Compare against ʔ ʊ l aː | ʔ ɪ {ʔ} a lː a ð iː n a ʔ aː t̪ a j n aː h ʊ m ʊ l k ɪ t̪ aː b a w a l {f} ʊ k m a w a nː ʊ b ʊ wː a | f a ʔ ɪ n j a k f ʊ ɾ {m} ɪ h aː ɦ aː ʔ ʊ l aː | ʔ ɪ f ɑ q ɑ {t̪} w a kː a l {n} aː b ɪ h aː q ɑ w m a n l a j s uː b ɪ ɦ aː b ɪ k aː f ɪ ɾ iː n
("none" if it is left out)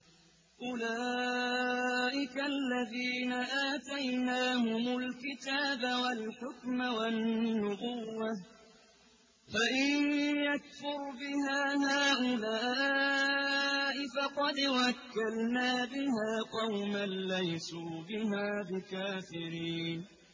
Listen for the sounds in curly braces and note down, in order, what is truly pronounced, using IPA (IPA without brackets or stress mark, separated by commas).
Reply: k, ħ, b, d̪, n